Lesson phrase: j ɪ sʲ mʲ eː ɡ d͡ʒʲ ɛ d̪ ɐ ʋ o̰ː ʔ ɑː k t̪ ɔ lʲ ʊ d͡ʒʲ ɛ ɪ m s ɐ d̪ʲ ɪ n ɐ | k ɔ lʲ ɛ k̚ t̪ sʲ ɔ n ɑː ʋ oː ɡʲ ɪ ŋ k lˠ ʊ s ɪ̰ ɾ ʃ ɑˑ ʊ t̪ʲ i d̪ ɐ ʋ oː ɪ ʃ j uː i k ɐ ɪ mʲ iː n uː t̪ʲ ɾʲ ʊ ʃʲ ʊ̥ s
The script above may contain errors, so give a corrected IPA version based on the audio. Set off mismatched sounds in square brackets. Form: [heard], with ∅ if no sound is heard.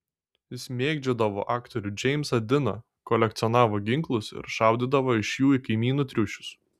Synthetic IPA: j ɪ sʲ mʲ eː ɡ d͡ʒʲ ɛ d̪ ɐ ʋ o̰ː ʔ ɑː k t̪ ɔ [ɾʲ] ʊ d͡ʒʲ ɛ ɪ m s ɐ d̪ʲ ɪ n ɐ | k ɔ lʲ ɛ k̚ t̪ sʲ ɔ n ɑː ʋ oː ɡʲ ɪ ŋ k lˠ ʊ s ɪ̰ ɾ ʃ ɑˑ ʊ [d̪ʲ] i d̪ ɐ ʋ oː ɪ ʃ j uː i k ɐ ɪ mʲ iː n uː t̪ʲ ɾʲ ʊ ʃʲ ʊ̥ s